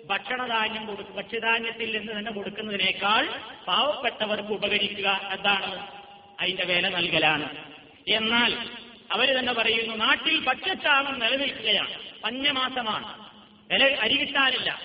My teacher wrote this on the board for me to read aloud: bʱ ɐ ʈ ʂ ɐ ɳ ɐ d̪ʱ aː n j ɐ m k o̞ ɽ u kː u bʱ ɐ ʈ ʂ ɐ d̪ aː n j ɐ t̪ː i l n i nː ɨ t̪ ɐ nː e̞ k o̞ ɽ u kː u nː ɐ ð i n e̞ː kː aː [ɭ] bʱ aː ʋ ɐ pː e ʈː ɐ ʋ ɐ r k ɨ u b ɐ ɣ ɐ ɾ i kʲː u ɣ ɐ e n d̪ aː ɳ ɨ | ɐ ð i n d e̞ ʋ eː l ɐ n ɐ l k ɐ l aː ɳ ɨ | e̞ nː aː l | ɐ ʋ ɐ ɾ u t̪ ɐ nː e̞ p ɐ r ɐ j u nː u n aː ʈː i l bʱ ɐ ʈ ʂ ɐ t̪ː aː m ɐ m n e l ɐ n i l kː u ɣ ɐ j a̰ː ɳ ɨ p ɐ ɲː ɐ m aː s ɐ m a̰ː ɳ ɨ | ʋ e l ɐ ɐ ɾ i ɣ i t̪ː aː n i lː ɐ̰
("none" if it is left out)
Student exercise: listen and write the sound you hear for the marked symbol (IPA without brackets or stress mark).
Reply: ɭ